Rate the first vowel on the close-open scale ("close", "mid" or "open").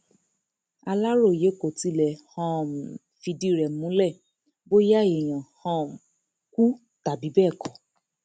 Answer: open